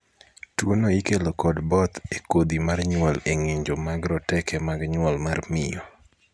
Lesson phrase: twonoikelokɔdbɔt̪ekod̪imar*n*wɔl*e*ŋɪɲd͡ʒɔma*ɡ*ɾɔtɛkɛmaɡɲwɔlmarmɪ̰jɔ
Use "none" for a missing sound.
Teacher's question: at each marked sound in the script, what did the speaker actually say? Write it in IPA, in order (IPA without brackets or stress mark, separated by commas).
ɲ, e, ɡ